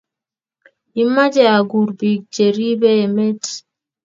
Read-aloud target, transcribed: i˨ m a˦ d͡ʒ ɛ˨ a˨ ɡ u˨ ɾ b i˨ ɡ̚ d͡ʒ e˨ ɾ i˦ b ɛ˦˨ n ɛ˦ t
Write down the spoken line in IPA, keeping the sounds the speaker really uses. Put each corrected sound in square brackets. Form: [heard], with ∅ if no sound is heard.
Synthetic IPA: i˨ m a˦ d͡ʒ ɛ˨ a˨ ɡ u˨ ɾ b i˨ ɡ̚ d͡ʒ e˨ ɾ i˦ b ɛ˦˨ [m] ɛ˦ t